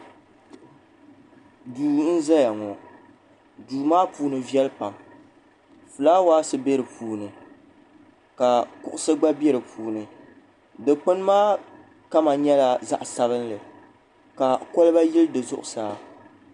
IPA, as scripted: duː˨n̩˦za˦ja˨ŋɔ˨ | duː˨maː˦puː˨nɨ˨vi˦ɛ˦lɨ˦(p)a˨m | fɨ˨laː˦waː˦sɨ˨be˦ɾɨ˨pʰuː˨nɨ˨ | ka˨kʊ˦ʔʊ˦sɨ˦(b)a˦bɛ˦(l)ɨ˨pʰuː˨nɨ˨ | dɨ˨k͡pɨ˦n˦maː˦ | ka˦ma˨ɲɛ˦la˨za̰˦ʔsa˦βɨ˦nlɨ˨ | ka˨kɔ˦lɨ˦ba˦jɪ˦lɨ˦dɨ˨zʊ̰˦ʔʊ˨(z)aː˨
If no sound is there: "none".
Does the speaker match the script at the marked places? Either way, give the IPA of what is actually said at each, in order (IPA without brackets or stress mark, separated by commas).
p, ɡ͡b, ɾ, s